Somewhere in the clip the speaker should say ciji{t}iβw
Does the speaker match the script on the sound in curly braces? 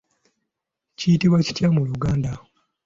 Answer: yes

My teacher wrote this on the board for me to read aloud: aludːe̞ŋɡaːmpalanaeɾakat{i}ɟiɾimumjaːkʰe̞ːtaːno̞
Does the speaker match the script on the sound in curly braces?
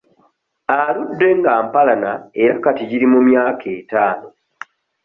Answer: yes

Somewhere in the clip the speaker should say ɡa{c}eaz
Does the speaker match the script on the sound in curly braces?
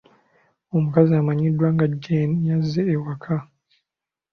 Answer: no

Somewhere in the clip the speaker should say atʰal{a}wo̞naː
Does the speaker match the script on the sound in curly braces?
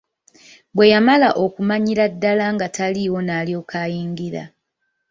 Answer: no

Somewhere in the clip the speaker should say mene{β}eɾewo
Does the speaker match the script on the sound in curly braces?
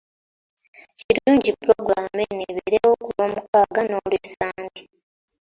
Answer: yes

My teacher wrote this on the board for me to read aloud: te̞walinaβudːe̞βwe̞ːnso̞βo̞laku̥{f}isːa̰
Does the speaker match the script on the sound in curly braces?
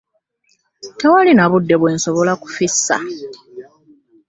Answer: yes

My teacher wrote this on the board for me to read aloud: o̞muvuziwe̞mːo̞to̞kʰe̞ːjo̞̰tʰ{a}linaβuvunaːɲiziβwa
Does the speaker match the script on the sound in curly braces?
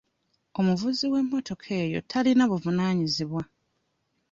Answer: yes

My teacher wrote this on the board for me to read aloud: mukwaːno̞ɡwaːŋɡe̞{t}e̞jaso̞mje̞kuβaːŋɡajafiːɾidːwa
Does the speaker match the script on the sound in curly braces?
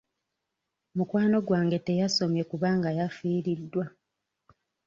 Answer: yes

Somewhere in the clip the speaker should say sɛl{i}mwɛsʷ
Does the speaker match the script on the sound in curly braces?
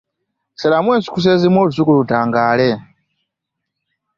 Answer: no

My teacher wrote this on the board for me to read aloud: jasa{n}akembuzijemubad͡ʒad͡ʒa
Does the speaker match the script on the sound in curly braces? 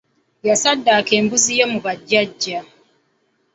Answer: no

